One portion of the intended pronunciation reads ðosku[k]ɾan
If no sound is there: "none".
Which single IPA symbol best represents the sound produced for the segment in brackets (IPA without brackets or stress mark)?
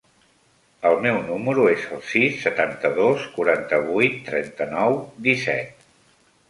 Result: none